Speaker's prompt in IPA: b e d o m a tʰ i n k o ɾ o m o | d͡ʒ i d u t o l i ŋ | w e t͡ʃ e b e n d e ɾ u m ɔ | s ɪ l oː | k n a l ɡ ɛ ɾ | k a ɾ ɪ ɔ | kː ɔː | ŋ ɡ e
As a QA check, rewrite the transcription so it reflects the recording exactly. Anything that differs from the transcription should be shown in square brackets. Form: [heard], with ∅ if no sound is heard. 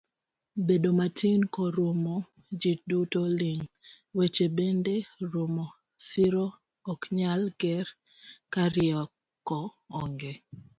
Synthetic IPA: b e d o m a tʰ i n k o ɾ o m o | d͡ʒ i d u t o l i ŋ | w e t͡ʃ e b e n d e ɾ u m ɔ | s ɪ [ɾ] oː | k [ɲ] a l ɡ ɛ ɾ | k a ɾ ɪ ɔ | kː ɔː | ŋ ɡ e